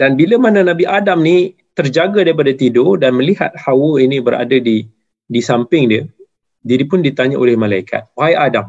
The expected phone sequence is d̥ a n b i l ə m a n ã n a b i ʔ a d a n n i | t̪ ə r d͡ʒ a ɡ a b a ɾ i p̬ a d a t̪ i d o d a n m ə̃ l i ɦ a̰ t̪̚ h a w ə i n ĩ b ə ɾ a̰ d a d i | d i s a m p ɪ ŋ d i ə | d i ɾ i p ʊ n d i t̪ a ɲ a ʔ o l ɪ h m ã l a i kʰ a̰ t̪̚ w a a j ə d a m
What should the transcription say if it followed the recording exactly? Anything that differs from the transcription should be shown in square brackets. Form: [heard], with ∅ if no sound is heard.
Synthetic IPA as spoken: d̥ a n b i l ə m a n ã n a b i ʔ a d a [m] n i | t̪ ə r d͡ʒ a ɡ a [d] a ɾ i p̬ a d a t̪ i d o d a n m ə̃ l i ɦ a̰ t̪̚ h a w ə i n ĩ b ə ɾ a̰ d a d i | d i s a m p ɪ ŋ d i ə | d i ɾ i p ʊ n d i t̪ a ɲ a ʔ o l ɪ h m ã l a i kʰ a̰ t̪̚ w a a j [a] d a m